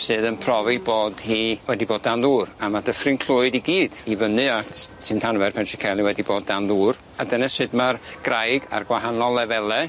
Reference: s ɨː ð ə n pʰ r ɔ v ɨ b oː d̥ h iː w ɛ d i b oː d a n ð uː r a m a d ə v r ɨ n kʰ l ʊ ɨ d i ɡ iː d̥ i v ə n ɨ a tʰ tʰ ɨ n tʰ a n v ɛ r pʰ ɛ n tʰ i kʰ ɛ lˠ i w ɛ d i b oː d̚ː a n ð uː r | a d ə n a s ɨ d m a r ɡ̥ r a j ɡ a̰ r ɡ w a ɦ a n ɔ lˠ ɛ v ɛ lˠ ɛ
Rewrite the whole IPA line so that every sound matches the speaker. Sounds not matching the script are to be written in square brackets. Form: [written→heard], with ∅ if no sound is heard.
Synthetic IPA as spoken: s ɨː ð ə n pʰ r ɔ v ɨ b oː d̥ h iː w ɛ d i b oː d a n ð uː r a m a d ə [v→f] r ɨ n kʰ l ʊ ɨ d i ɡ iː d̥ i v ə n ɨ a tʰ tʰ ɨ n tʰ a n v ɛ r pʰ ɛ n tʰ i kʰ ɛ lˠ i w ɛ d i b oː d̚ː a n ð uː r | a d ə n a s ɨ d m a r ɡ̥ r a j ɡ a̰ r ɡ w a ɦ a n ɔ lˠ ɛ v ɛ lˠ ɛ